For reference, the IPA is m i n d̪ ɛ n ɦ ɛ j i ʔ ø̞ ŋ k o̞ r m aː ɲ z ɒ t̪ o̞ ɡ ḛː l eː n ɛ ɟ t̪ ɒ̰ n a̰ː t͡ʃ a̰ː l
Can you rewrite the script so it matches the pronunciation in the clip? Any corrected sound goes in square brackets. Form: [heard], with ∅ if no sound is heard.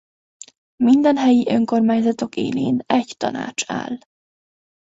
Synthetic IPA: m i n d̪ ɛ n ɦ ɛ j i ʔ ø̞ ŋ k o̞ r m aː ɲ z ɒ t̪ o̞ [k] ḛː l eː n ɛ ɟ t̪ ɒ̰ n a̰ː t͡ʃ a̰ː l